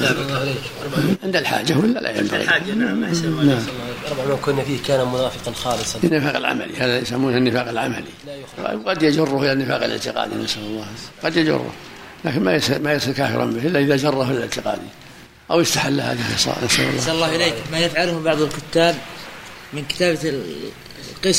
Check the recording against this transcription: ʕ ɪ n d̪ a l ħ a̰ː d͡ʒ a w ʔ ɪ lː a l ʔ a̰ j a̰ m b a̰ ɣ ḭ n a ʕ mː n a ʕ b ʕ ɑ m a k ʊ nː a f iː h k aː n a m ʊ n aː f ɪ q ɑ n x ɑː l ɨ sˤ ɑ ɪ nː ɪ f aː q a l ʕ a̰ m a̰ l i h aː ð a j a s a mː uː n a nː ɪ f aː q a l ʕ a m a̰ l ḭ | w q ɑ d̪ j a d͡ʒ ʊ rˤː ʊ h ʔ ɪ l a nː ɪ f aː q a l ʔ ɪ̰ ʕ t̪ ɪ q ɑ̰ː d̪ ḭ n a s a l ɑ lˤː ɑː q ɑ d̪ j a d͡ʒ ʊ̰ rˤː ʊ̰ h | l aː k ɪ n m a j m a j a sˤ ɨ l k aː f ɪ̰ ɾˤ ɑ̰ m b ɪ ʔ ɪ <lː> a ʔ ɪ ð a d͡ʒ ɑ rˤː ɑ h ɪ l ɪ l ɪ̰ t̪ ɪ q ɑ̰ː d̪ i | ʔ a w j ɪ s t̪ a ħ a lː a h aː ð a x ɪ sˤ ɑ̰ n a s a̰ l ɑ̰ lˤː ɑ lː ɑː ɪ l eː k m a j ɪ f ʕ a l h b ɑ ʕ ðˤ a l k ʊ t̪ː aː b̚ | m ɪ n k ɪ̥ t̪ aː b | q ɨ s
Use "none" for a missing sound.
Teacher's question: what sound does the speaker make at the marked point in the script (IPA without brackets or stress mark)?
lː